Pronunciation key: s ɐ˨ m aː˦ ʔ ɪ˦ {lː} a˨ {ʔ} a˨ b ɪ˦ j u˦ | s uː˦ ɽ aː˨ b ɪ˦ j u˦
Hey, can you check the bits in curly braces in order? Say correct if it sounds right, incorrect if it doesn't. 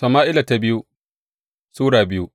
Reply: incorrect: l, incorrect: t

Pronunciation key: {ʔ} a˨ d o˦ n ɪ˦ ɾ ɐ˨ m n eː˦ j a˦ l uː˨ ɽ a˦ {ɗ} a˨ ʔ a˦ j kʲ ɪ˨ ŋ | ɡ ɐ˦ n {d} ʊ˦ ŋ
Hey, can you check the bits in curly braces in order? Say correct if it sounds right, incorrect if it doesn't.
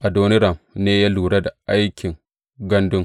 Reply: correct, incorrect: d, correct

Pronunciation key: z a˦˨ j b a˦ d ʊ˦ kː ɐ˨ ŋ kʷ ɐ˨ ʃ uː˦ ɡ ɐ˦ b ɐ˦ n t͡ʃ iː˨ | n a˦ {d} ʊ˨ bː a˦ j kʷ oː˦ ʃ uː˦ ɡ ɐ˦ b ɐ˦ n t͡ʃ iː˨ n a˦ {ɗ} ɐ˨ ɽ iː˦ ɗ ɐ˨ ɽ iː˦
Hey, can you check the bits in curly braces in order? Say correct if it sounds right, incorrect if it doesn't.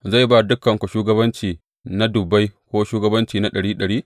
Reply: correct, correct

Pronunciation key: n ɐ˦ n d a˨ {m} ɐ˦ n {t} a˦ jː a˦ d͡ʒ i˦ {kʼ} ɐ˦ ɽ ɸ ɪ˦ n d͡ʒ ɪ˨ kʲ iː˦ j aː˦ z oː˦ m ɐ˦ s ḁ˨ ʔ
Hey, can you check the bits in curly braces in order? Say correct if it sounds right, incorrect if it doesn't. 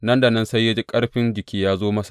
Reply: incorrect: n, incorrect: s, correct

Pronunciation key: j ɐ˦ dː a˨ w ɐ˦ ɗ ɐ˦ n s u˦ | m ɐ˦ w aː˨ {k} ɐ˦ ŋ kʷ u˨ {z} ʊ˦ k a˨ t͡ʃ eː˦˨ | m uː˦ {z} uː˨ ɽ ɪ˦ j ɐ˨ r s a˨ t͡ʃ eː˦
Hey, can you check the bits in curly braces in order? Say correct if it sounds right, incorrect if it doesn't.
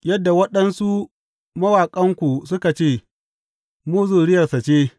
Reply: incorrect: kʼ, incorrect: s, correct

